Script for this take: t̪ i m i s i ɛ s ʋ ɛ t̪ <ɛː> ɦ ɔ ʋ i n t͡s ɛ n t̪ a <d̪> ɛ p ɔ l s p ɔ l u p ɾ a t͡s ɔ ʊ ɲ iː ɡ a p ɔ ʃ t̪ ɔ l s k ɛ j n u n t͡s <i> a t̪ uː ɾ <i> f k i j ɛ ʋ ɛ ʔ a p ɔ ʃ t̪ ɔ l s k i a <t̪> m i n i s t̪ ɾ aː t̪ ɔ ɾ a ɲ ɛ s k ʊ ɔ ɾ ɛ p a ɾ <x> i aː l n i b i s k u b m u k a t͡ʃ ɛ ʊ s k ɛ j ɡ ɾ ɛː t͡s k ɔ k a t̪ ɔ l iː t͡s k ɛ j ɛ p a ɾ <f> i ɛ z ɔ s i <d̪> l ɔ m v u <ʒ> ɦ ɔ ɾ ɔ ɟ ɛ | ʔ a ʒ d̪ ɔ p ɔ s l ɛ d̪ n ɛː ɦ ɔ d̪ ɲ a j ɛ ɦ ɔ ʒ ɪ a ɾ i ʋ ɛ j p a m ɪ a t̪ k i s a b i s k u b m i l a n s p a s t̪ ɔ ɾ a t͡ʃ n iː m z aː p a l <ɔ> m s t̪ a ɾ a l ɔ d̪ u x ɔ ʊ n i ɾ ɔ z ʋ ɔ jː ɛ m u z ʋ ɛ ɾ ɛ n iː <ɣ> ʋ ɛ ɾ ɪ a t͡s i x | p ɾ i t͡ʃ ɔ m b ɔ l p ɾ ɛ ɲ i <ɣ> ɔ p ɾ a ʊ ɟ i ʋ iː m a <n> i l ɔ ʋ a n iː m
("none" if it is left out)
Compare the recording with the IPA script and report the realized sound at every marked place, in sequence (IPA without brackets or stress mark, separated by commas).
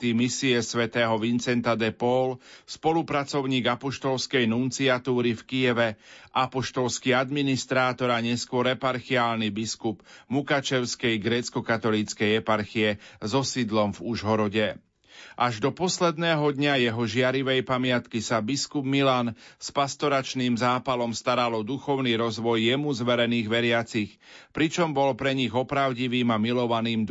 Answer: ɛː, d̪, i, i, d̪, x, x, d̪, ʒ, ɔ, ɣ, ɣ, m